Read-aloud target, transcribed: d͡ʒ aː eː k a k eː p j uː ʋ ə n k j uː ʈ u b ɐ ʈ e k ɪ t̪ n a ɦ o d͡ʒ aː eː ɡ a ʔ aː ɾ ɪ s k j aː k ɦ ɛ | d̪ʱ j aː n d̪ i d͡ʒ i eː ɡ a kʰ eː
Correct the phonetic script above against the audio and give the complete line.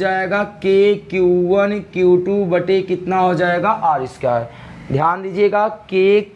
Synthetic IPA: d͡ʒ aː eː ɡ a k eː k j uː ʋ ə n k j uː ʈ u b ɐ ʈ e k ɪ t̪ n a ɦ o d͡ʒ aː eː ɡ a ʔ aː ɾ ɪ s k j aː ɦ ɛ | d̪ʱ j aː n d̪ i d͡ʒ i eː ɡ a k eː